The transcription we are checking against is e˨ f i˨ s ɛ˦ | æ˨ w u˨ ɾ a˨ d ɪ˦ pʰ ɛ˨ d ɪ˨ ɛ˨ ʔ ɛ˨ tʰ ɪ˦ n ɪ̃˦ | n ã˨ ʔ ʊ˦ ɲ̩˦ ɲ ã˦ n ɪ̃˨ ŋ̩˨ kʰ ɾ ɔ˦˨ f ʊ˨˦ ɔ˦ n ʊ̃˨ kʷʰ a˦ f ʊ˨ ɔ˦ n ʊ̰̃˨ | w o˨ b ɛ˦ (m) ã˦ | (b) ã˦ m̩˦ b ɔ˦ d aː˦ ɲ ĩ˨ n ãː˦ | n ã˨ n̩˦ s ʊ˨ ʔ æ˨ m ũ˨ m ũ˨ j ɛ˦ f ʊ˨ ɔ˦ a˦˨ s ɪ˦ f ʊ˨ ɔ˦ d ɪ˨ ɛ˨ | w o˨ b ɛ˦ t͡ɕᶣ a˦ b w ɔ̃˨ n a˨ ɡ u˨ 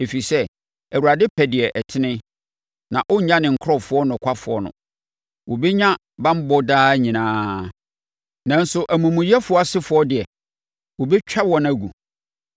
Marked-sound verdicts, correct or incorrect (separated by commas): incorrect, correct